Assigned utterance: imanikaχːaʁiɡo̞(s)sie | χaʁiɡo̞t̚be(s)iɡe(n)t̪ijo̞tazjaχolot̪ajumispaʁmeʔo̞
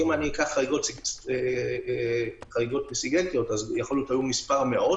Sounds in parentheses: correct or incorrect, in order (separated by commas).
incorrect, correct, correct